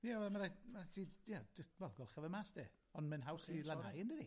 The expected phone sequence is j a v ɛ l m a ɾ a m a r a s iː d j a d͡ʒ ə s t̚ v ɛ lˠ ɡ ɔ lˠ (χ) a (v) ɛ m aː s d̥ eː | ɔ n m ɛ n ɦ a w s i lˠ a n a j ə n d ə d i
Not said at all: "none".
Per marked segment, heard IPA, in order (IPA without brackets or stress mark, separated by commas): χ, v